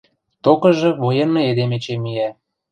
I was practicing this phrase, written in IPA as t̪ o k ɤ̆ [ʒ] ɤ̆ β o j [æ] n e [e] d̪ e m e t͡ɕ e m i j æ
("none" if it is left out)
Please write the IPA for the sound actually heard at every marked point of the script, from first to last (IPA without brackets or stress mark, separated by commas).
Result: ʒ, e, e